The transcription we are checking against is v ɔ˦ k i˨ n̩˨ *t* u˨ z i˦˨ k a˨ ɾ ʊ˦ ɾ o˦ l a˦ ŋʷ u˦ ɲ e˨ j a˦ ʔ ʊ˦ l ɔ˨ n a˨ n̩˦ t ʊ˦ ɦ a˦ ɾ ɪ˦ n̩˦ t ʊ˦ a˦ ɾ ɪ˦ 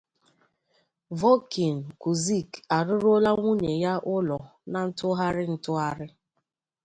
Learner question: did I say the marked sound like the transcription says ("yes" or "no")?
no